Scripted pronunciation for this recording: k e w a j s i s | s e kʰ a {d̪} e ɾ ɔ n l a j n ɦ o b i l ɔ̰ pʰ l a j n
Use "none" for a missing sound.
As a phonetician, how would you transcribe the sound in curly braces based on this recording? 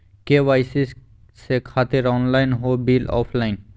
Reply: t̪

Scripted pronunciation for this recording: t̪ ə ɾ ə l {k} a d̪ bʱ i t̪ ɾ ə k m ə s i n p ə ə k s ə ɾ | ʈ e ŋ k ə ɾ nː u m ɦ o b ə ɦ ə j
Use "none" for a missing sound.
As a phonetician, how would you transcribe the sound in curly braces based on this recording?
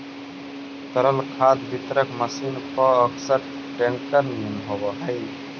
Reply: kʰ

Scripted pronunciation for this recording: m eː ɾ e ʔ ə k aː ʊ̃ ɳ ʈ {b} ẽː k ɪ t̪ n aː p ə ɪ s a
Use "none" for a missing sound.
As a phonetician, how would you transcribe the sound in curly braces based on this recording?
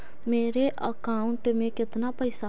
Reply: m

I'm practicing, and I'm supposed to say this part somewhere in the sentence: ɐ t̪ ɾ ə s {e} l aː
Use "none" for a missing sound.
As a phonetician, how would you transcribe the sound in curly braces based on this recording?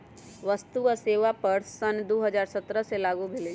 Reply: e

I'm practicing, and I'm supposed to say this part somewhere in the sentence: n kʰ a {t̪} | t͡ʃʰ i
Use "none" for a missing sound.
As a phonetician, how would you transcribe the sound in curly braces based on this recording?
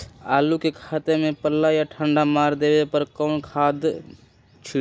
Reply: d̪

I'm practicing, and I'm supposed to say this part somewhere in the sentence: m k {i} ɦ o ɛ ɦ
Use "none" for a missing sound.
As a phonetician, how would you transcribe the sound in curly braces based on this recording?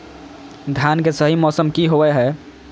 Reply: i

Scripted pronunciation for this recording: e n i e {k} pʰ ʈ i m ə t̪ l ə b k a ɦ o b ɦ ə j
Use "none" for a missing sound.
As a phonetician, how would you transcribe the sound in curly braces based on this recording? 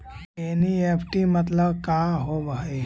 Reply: none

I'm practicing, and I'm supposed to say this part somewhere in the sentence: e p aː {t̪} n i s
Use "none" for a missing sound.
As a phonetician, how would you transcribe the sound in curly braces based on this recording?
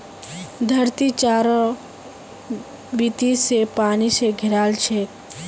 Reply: none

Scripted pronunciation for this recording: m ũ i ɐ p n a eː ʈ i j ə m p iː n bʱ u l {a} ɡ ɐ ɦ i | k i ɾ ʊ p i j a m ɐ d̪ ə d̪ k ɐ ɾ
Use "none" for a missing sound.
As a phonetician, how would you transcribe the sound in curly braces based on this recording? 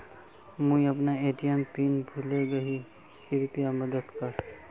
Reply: e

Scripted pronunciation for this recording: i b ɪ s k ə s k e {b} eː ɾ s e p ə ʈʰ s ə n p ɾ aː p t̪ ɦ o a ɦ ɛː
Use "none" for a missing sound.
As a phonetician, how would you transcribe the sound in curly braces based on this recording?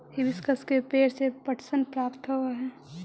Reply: p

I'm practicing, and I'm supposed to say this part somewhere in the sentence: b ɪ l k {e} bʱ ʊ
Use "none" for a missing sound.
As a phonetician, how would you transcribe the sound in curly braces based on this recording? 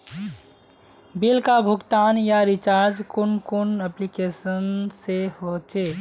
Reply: a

